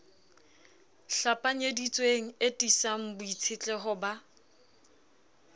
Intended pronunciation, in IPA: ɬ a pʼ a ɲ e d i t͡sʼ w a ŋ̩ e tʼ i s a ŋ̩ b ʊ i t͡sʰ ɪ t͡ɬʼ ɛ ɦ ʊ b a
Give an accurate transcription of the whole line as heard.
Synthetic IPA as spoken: ɬ a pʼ a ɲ e d i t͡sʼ w e ŋ̩ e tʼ i s a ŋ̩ b ʊ i t͡sʰ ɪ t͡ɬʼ ɛ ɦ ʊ b a